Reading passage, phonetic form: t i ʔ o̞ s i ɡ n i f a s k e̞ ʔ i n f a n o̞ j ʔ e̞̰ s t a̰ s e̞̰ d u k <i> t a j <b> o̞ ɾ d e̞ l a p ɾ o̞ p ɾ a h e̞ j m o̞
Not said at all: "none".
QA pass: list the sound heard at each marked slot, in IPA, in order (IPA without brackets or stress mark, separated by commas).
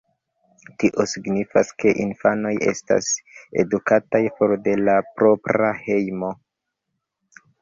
a, p